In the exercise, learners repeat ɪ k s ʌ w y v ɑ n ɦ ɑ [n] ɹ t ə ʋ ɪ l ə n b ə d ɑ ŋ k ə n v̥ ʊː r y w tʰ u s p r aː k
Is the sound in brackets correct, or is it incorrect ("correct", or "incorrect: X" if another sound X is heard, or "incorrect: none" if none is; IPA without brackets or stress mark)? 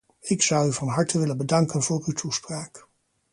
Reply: incorrect: none